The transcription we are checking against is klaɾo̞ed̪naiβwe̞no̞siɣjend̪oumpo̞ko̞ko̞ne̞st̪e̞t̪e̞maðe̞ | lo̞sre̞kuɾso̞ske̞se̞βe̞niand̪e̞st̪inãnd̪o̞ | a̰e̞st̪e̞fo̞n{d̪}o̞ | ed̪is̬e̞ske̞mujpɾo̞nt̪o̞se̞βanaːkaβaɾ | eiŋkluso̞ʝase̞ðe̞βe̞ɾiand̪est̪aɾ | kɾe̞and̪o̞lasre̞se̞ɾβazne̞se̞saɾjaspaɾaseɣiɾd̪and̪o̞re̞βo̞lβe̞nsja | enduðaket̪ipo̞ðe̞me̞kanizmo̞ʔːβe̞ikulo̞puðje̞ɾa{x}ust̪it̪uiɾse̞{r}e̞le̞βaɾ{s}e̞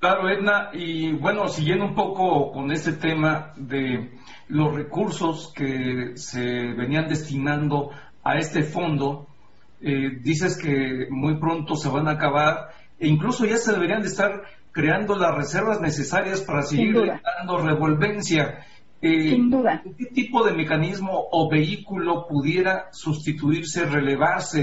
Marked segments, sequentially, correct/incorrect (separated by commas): correct, incorrect, correct, correct